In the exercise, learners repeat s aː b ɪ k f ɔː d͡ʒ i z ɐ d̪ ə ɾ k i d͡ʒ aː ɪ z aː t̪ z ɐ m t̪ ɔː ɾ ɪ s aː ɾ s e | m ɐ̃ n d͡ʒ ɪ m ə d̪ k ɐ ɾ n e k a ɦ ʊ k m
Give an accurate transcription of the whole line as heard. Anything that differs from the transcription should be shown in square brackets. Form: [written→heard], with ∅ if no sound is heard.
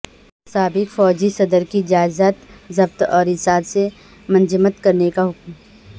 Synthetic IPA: s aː b ɪ k f ɔː d͡ʒ i [z→s] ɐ d̪ ə ɾ k i d͡ʒ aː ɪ z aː t̪ z ɐ [m→b] t̪ ɔː ɾ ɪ s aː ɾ s e | m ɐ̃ n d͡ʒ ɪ m ə [d̪→t̪] k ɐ ɾ n e k a ɦ ʊ k m